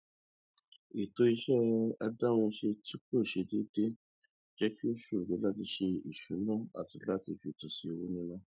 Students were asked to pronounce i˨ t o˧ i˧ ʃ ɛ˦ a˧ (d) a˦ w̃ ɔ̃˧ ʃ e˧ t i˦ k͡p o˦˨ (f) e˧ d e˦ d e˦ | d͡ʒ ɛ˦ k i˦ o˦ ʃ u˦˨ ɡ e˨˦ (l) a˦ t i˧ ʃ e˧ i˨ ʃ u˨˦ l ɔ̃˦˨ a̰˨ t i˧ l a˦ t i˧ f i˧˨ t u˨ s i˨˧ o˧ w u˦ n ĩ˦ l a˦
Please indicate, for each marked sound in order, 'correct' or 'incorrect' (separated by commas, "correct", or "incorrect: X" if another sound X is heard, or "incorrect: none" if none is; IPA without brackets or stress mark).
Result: correct, incorrect: ʃ, correct